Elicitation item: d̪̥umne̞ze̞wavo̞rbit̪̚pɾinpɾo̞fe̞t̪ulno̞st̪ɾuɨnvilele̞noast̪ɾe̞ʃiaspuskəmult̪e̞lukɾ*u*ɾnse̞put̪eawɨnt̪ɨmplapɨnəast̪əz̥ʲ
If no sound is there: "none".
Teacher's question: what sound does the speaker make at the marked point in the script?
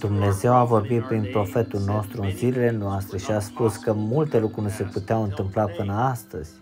u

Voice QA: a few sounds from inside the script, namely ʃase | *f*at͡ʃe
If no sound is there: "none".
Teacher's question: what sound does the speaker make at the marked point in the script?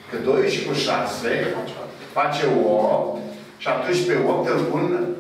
f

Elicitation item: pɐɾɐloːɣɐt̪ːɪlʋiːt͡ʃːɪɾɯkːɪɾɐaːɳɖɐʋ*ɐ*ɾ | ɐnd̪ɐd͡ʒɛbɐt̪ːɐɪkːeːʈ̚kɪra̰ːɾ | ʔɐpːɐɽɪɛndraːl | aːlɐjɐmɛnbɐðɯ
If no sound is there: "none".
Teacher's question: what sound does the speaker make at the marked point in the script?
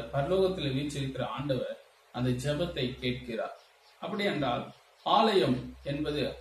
ɐ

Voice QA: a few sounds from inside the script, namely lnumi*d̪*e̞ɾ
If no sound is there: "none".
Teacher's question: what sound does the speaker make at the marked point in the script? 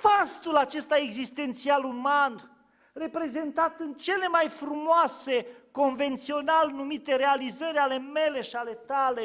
t̪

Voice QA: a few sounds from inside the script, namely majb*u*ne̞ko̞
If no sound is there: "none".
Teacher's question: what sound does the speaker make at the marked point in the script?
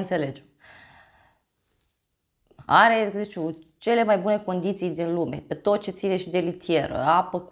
u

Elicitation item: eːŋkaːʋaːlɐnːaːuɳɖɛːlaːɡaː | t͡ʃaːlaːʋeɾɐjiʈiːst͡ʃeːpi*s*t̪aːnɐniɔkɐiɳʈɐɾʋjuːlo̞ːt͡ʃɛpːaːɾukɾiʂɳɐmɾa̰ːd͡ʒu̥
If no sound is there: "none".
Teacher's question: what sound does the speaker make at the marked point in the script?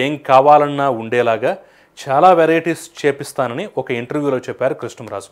s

